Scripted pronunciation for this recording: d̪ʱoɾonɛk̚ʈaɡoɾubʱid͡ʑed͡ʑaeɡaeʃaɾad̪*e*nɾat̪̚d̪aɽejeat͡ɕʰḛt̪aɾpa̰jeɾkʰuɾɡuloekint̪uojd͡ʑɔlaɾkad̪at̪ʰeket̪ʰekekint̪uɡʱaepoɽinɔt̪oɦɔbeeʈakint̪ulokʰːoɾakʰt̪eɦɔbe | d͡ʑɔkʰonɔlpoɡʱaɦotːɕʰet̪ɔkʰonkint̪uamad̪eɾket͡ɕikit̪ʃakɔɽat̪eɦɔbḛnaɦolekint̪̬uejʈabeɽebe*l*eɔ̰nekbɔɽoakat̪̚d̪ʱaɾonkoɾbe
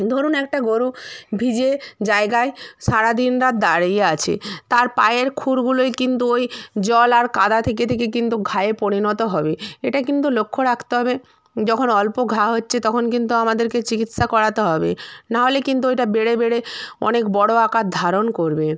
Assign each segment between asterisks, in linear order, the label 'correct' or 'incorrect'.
incorrect, incorrect

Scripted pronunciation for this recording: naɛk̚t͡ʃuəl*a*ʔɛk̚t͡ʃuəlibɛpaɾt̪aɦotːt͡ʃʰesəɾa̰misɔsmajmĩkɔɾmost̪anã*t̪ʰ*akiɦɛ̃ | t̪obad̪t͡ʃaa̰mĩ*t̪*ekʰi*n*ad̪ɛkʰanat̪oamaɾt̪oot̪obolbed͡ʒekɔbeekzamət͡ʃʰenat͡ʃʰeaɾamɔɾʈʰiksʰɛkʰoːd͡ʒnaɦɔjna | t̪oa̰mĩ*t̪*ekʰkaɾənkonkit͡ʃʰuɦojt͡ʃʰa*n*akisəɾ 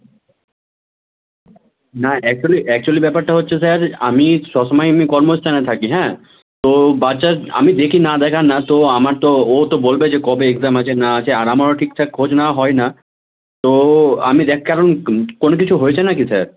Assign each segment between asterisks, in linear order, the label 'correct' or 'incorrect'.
incorrect, correct, incorrect, correct, incorrect, correct

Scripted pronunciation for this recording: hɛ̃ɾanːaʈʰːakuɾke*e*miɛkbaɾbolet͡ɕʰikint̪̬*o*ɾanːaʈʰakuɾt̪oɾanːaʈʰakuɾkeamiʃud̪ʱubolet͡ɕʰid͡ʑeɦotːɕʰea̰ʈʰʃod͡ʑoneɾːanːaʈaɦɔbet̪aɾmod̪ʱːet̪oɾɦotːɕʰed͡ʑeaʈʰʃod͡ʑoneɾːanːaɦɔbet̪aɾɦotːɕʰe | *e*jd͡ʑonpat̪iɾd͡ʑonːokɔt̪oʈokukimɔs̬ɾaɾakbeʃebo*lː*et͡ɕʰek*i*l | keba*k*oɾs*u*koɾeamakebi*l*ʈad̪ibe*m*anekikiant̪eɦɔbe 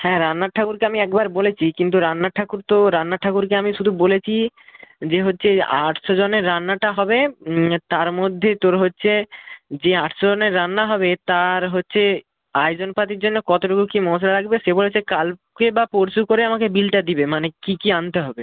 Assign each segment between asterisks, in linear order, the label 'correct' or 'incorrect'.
incorrect, incorrect, incorrect, incorrect, incorrect, incorrect, correct, correct, correct

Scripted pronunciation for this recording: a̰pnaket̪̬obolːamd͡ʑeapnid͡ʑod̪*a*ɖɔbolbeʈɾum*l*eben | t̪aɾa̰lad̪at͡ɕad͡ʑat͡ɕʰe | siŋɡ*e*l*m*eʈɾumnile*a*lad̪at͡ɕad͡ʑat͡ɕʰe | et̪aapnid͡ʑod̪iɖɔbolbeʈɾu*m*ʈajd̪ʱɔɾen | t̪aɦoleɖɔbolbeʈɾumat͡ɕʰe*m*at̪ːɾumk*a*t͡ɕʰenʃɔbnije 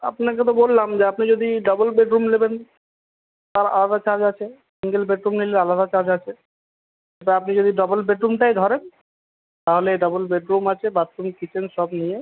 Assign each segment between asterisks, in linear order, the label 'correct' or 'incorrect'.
incorrect, correct, correct, incorrect, correct, correct, incorrect, incorrect

